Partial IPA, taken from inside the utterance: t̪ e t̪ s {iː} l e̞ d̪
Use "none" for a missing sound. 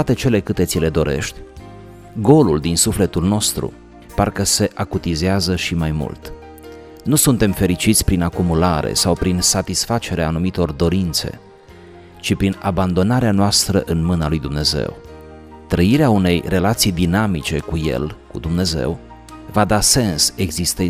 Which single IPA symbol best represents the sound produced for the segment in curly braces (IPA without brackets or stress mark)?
i